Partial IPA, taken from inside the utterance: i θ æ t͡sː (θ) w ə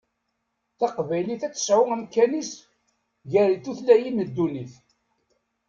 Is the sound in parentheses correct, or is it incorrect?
incorrect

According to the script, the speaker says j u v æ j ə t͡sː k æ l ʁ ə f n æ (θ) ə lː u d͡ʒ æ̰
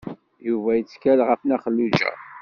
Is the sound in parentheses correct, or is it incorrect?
incorrect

